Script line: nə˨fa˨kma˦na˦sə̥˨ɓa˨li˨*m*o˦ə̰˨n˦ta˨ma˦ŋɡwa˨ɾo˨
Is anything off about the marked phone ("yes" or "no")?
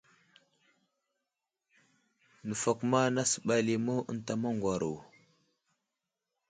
no